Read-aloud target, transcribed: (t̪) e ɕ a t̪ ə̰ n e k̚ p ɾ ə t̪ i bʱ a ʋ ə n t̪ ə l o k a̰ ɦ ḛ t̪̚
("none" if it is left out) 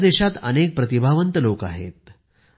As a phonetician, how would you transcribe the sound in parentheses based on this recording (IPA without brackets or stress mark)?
d̪